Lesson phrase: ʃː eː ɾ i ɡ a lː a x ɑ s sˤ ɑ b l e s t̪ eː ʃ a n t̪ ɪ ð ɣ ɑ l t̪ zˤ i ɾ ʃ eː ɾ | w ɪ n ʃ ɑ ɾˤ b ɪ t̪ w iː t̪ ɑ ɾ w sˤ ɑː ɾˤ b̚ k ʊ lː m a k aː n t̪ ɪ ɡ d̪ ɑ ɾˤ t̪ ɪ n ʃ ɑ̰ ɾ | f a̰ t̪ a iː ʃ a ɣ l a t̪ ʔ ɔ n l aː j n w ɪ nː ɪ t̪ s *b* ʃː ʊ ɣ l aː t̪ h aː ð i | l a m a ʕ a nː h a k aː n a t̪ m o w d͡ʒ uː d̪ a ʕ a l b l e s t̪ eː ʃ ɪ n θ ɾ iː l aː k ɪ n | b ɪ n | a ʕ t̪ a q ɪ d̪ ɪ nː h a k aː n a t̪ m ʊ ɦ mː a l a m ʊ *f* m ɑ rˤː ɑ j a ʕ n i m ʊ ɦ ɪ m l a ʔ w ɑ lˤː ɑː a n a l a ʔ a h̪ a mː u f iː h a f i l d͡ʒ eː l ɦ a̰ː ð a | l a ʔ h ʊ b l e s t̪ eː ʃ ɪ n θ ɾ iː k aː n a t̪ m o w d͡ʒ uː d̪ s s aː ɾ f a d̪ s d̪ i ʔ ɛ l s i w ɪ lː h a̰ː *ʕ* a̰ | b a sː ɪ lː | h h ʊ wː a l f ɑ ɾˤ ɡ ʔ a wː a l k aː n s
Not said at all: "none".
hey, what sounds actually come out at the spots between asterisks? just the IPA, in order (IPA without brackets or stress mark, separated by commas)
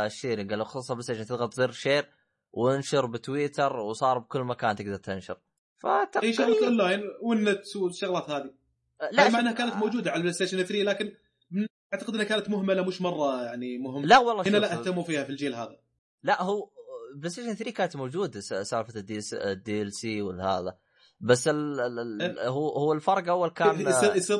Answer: w, ʃ, ð